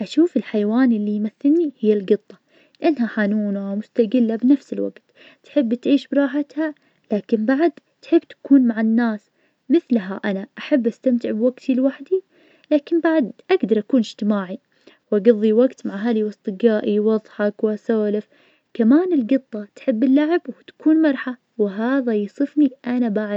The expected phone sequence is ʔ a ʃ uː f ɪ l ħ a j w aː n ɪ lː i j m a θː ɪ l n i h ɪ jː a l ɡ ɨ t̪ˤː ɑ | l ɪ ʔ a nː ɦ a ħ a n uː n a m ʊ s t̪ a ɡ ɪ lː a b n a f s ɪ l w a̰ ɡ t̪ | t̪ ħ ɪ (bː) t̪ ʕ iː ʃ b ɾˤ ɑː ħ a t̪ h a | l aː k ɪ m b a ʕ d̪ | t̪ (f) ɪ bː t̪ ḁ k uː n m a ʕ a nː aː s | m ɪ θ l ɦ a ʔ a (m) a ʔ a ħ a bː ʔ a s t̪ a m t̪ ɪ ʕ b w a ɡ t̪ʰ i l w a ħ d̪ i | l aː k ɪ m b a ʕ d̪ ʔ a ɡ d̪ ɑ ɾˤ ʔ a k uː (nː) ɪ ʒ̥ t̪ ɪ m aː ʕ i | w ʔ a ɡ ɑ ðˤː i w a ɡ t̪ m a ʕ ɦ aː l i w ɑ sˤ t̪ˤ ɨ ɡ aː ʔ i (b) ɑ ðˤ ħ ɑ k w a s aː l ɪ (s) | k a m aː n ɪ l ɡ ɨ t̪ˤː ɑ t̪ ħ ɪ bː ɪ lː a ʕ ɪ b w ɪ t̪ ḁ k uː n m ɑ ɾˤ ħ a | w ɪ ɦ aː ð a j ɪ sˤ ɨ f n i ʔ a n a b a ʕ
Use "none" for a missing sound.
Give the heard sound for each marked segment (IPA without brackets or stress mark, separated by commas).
bː, ħ, n, n, w, f